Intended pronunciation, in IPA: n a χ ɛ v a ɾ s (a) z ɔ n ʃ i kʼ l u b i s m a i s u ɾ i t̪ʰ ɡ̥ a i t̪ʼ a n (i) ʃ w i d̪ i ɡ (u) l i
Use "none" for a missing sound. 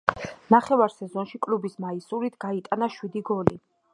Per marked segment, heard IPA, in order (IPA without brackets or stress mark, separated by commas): ɛ, a, ɔ